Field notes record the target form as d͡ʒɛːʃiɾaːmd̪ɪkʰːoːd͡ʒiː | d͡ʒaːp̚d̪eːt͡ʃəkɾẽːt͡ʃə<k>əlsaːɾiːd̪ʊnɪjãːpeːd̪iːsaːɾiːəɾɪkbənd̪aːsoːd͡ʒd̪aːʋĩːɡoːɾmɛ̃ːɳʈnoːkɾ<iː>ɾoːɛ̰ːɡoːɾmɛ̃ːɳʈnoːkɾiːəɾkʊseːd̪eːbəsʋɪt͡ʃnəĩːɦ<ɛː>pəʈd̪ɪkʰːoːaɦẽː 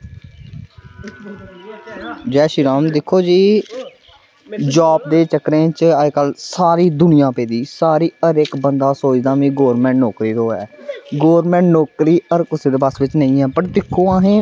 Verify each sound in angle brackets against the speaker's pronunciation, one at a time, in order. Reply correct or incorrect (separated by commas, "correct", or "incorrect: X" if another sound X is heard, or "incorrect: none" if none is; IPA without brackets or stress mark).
correct, correct, correct